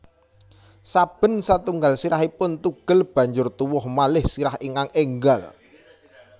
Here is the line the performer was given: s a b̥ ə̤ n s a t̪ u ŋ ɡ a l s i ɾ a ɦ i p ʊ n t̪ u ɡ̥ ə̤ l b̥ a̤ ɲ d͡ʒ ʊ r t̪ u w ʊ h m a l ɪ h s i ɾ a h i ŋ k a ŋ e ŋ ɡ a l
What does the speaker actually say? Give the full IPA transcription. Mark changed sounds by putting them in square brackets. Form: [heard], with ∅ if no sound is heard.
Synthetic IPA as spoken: s a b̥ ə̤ n s a t̪ u ŋ ɡ a l s i ɾ a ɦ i p ʊ n t̪ u ɡ̥ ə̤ l b̥ a̤ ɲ d͡ʒ ʊ r t̪ u w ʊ h m a l ɪ h s i ɾ a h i ŋ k a ŋ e ŋ ɡ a l

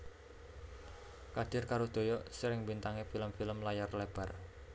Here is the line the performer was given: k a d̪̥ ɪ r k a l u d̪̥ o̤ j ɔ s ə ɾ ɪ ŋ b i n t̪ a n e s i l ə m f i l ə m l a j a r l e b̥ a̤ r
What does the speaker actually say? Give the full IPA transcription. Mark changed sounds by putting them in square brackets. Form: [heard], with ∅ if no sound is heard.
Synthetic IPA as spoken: k a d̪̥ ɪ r k a [ɾ] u d̪̥ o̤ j ɔ s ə ɾ ɪ ŋ b i n t̪ a [ŋ] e [f] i l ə m f i l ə m l a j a r l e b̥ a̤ r

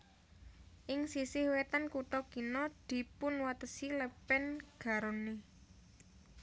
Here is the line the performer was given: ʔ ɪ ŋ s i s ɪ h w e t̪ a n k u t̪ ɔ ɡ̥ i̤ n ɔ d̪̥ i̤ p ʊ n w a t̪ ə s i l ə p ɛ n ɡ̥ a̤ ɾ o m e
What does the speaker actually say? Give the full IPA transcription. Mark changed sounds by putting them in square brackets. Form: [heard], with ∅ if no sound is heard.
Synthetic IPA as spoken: ʔ ɪ ŋ s i s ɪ h w e t̪ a n k u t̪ ɔ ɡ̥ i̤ n ɔ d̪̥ i̤ p ʊ n w a t̪ ə s i l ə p ɛ n ɡ̥ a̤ ɾ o [n] e

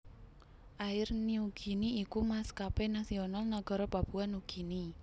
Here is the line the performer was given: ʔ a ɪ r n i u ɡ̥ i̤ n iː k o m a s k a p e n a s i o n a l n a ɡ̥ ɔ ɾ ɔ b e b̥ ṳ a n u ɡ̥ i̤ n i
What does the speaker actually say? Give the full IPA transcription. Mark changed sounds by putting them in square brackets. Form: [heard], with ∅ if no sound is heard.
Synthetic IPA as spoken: ʔ a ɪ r n i u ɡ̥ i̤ n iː k [u] m a s k a p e n a s i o n a l n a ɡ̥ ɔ ɾ ɔ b [a] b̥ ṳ a n u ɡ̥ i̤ n i

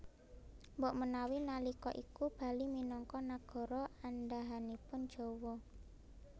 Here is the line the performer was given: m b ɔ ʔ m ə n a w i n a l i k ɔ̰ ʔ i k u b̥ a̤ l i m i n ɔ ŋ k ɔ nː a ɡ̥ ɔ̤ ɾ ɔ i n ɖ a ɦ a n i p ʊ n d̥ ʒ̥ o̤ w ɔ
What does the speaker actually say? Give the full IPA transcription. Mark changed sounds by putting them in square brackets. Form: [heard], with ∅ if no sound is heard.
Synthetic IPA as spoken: m b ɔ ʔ m ə n a w i n a l i k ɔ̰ ʔ i k u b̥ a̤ l i m i n ɔ ŋ k ɔ [n] a ɡ̥ ɔ̤ ɾ ɔ [a] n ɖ a ɦ a n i p ʊ n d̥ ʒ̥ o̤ w ɔ

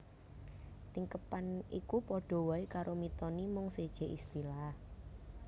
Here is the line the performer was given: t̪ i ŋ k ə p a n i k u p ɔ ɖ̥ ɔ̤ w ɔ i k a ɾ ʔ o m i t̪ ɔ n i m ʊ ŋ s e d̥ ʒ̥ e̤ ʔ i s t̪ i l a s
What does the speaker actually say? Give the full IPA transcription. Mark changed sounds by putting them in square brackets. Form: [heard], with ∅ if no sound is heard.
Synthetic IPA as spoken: t̪ i ŋ k ə p a n i k u p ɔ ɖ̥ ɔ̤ w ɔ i k a ɾ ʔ o m i t̪ ɔ n i m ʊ ŋ s e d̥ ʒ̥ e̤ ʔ i s t̪ i l a [h]

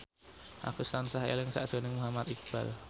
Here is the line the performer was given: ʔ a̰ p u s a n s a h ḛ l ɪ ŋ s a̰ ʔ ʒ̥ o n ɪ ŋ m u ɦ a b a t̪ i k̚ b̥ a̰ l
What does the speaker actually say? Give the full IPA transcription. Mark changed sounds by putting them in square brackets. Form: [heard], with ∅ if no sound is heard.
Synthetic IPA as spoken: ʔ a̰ [k] u s a n s a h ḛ l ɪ ŋ s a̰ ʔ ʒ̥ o n ɪ ŋ m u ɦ a [m] a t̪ i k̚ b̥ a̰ l

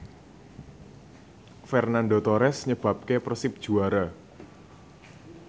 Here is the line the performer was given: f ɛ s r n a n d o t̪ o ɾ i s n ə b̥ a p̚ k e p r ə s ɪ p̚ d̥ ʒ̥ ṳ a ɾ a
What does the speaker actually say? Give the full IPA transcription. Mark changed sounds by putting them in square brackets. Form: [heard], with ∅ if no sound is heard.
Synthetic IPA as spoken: f ɛ [∅] r n a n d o t̪ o ɾ [ɛ] s [ɲ] ə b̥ a p̚ k e p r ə s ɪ p̚ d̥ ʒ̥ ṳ a ɾ a

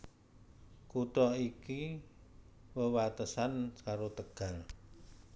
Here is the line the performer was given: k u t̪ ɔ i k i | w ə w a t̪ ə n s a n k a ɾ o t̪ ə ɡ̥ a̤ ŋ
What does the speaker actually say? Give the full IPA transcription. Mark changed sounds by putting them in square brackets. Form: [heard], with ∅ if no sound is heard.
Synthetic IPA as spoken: k u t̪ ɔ i k i | w ə w a t̪ ə [∅] s a n k a ɾ o t̪ ə ɡ̥ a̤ ŋ

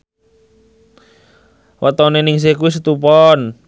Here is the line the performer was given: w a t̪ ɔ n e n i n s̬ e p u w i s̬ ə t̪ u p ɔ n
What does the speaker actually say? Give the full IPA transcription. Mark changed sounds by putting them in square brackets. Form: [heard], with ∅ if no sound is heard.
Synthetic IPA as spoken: w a t̪ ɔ n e n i [ŋ] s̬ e [k] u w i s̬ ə t̪ u p ɔ n

